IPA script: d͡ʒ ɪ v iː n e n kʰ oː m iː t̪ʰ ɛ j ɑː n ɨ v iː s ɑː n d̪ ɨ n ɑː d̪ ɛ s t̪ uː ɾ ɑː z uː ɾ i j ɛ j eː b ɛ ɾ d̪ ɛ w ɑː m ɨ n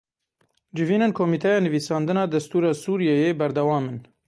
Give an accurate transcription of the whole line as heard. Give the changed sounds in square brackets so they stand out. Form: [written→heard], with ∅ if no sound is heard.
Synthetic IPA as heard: d͡ʒ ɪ v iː n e n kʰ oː m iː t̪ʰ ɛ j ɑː n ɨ v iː s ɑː n d̪ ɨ n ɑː d̪ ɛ s t̪ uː ɾ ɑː [z→s] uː ɾ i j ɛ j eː b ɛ ɾ d̪ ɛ w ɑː m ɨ n